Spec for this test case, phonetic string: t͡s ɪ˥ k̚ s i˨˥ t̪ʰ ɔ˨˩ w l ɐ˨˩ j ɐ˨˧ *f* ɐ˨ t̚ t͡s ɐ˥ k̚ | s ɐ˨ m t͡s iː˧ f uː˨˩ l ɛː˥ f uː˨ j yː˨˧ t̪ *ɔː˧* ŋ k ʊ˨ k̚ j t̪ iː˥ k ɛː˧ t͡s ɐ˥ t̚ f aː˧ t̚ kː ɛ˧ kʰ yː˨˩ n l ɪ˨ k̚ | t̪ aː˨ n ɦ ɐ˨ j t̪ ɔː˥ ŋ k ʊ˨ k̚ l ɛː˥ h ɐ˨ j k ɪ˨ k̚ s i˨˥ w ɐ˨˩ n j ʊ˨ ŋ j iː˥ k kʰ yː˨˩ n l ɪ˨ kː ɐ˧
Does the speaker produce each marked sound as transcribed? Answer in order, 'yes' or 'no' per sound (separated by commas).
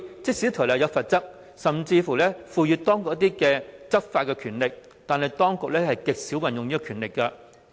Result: yes, no